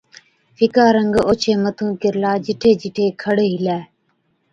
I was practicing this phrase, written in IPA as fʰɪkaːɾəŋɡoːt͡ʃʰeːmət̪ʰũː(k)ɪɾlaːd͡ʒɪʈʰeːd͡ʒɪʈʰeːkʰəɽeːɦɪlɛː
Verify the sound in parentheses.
correct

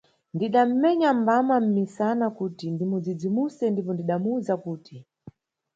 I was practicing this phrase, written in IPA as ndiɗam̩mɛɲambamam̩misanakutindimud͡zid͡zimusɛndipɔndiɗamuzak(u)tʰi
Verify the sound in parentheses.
incorrect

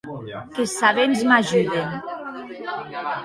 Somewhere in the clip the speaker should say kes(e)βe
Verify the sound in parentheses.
incorrect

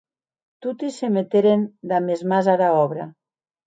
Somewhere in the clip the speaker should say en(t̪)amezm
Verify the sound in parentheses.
incorrect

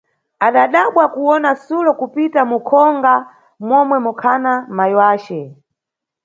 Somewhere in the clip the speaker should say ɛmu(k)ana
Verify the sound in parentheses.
incorrect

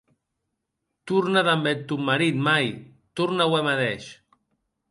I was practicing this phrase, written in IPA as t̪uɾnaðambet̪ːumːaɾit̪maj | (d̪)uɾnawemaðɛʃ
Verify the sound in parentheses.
incorrect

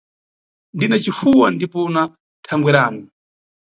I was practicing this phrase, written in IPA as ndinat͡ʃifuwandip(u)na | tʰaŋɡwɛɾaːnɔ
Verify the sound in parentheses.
incorrect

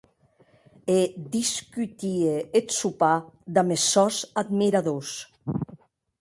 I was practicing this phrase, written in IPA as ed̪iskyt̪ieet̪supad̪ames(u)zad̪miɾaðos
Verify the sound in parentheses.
incorrect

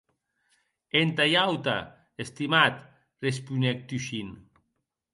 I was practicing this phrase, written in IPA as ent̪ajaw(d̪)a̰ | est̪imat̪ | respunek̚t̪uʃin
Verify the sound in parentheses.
incorrect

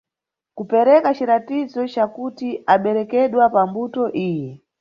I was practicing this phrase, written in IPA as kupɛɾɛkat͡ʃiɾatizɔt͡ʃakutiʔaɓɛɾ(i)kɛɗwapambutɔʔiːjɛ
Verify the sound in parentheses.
incorrect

